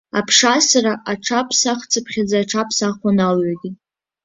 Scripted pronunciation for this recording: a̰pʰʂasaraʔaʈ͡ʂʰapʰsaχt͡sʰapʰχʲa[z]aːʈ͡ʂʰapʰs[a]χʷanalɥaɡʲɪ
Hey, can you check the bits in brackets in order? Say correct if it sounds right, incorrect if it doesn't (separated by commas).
incorrect, correct